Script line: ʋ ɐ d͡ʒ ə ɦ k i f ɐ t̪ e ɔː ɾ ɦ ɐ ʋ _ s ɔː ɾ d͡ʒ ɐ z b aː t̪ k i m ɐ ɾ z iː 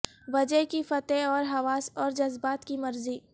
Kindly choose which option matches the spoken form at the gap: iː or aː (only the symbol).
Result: aː